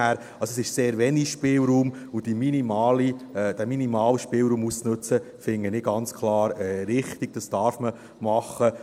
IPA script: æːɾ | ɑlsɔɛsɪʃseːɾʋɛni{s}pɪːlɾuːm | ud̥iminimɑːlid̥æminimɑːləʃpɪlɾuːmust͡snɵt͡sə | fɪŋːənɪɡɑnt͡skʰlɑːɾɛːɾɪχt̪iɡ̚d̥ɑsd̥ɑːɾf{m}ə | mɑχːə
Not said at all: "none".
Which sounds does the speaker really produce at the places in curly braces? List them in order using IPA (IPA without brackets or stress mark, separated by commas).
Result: ʃ, m